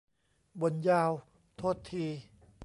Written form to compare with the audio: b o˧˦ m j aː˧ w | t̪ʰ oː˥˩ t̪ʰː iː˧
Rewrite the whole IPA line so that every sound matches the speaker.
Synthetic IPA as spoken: b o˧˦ n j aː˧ w | t̪ʰ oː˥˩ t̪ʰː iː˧

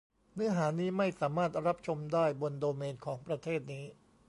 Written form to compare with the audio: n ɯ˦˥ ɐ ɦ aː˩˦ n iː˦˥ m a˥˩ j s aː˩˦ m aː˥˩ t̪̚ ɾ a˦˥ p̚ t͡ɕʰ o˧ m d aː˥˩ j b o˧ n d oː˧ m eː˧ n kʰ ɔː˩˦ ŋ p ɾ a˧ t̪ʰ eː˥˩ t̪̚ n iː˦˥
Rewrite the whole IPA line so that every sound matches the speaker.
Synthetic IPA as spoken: n ɯ˦˥ ɐ ɦ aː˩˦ n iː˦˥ m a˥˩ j s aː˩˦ m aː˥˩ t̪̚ ɾ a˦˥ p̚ t͡ɕʰ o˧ m d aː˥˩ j b o˧ n d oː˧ m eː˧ n kʰ ɔː˩˦ ŋ p ɾ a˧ t̪ʰ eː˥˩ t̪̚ n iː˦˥

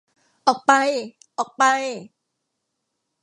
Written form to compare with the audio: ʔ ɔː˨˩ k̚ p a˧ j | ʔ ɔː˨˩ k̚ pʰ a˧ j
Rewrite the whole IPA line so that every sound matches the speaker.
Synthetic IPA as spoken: ʔ ɔː˨˩ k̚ p a˧ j | ʔ ɔː˨˩ k̚ p a˧ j

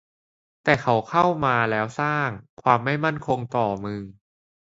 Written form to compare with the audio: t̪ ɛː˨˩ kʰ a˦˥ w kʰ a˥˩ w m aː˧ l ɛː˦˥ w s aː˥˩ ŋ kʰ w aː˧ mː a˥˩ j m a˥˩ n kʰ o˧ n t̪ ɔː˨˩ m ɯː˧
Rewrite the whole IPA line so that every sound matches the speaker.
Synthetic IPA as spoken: t̪ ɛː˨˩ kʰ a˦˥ w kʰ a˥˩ w m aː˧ l ɛː˦˥ w s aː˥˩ ŋ kʰ w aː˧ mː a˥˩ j m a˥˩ n kʰ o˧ ŋ t̪ ɔː˨˩ m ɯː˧

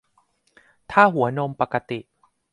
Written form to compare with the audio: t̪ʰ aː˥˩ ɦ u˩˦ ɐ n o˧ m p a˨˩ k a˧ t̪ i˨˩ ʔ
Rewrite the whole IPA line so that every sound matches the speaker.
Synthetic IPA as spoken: t̪ʰ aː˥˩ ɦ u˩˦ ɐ n o˧ m p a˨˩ k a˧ t̪ i˨˩ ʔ

